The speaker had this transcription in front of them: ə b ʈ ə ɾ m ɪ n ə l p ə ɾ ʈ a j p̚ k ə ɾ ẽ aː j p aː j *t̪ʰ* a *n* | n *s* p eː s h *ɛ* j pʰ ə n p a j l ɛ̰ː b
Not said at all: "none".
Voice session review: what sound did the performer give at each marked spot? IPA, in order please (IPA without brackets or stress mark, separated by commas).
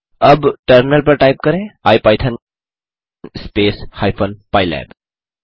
t̪ʰ, n, s, a